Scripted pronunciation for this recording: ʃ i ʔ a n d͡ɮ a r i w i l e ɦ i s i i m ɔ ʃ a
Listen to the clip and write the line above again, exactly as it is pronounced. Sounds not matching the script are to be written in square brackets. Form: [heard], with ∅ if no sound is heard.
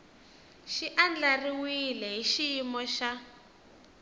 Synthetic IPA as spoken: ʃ i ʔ a n d͡ɮ a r i w i l [ɛ] ɦ i [ʃ] i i m ɔ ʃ a